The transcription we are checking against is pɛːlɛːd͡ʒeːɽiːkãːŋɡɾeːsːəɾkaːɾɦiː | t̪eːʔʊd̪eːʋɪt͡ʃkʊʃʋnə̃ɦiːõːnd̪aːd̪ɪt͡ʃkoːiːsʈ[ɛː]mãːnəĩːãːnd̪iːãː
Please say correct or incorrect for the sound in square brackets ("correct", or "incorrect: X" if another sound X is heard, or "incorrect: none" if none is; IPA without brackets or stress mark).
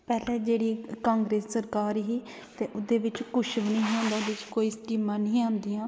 incorrect: iː